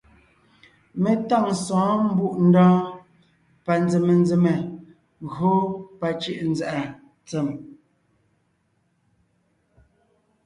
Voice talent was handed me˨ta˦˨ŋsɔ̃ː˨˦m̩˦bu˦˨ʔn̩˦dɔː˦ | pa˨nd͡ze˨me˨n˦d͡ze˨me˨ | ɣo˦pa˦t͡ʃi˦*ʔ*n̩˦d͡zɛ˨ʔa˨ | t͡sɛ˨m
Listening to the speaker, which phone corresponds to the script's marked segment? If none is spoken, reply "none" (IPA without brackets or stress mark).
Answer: ʔ